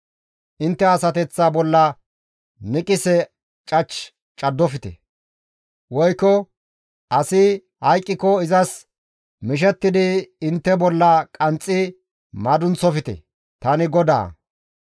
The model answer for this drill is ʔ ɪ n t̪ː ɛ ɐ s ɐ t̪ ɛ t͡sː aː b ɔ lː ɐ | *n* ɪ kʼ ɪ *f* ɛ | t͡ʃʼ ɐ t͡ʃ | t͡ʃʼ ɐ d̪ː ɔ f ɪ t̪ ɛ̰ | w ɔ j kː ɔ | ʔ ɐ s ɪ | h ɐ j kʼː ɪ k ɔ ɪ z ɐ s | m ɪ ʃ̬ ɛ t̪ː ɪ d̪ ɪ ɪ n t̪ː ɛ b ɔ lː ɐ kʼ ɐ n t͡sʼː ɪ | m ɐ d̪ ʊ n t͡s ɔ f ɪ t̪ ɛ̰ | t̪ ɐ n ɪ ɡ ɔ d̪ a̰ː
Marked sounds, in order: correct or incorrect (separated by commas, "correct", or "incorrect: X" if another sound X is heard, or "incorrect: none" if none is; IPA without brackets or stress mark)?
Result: correct, incorrect: s